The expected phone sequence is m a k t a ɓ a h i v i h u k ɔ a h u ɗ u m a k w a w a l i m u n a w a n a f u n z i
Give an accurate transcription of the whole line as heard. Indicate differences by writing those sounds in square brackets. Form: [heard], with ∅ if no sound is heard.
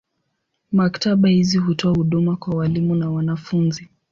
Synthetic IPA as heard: m a k t a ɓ a h i [z] i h u [t] ɔ a h u ɗ u m a k w a w a l i m u n a w a n a f u n z i